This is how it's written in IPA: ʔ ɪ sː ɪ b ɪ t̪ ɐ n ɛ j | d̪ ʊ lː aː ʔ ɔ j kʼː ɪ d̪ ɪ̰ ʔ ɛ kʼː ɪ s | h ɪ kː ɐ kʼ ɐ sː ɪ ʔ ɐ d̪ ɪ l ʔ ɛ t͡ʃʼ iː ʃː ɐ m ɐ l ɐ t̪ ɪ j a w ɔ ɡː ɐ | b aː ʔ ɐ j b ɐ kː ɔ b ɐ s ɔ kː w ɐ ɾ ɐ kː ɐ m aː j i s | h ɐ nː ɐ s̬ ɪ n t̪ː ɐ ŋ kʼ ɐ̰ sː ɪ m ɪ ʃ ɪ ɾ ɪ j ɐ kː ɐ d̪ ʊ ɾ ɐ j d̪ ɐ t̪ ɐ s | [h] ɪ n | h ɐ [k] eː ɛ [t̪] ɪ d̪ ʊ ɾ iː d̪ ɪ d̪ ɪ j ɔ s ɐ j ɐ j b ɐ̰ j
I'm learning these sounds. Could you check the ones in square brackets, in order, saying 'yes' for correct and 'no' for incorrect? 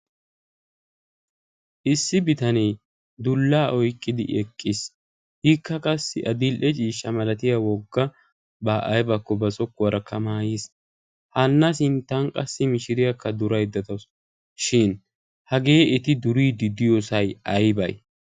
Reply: no, no, yes

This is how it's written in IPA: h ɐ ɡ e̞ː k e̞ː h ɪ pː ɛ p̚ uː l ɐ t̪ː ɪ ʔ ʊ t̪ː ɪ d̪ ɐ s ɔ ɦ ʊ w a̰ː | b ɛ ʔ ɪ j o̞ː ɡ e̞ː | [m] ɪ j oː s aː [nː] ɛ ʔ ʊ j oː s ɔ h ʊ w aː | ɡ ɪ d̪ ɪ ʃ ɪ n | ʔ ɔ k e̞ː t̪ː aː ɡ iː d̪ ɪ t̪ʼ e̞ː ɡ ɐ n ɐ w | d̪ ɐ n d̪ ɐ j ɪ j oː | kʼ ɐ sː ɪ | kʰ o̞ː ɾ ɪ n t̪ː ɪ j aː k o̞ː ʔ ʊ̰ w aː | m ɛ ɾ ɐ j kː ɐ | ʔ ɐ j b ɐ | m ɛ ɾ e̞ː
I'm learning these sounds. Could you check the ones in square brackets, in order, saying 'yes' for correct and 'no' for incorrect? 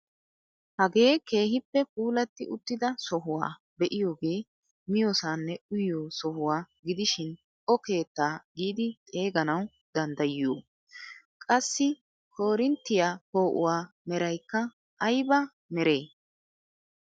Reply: yes, yes

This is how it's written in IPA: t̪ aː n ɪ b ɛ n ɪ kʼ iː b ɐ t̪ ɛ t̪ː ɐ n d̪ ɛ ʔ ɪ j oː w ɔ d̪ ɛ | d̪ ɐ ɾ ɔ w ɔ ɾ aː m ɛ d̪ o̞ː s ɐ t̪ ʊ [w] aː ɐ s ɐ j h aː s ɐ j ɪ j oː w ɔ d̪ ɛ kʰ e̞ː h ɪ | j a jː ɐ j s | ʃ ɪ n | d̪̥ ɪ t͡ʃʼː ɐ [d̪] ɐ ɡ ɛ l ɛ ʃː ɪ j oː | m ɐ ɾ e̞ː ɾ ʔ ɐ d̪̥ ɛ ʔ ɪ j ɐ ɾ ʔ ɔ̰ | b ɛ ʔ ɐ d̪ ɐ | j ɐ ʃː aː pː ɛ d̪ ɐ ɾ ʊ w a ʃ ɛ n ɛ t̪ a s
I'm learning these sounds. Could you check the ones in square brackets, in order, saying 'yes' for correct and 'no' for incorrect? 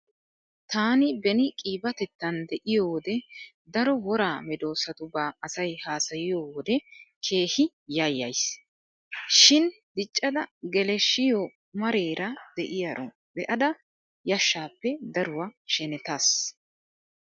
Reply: no, yes

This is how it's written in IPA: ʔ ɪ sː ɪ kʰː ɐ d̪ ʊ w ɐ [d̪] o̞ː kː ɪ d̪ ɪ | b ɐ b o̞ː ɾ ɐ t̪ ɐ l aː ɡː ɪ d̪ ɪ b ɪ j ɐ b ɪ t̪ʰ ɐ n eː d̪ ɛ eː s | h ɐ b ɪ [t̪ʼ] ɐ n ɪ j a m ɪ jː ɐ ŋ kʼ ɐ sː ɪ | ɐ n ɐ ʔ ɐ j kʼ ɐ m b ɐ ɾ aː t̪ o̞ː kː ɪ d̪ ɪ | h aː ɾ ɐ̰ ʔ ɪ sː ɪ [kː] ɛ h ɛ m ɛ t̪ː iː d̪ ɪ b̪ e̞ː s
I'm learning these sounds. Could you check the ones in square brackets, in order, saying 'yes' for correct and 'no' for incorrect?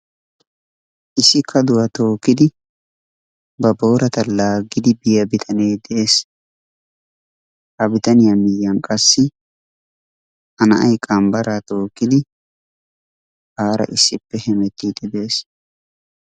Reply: no, no, no

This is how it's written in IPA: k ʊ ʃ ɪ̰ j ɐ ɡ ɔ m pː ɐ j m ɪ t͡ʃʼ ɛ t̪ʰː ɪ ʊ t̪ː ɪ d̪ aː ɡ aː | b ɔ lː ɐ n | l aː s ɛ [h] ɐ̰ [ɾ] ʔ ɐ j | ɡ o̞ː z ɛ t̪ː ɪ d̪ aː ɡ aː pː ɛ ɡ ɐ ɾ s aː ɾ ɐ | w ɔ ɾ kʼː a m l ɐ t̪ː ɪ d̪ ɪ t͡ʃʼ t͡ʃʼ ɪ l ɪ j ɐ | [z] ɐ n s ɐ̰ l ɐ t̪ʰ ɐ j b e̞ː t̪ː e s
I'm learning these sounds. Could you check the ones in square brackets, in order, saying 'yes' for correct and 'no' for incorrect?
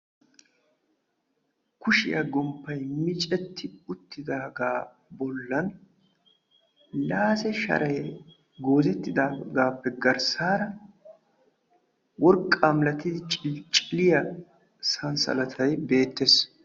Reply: no, yes, no

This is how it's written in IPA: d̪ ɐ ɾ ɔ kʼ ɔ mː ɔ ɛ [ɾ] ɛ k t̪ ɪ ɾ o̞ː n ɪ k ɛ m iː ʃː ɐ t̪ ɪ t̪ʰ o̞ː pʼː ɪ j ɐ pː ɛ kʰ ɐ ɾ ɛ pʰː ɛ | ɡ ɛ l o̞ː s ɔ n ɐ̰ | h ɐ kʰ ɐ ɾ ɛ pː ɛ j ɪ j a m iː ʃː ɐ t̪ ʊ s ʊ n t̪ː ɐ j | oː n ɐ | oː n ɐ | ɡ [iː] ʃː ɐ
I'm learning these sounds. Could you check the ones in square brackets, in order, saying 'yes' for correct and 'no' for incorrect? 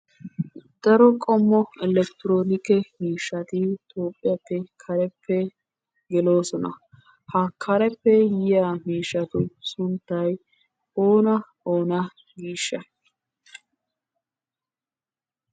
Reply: no, yes

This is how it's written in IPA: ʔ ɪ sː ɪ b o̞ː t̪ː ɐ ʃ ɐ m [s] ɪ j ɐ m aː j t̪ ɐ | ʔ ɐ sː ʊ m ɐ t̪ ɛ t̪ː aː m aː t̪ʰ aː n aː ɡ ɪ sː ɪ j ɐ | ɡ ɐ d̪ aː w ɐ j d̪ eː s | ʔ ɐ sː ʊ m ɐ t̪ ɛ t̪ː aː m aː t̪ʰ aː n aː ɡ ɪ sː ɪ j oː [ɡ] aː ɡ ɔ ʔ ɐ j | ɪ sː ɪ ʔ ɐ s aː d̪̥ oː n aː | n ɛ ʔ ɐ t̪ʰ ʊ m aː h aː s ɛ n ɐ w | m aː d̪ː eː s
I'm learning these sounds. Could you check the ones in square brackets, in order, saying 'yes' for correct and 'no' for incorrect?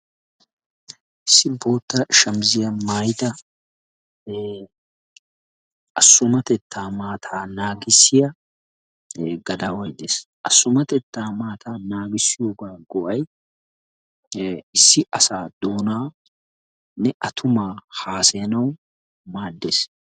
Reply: no, yes

